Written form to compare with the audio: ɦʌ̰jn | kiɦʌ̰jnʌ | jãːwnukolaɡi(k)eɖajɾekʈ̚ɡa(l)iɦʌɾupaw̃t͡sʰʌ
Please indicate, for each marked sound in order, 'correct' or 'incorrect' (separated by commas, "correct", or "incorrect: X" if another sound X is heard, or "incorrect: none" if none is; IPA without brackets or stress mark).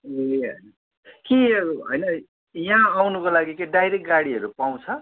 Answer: correct, incorrect: ɽ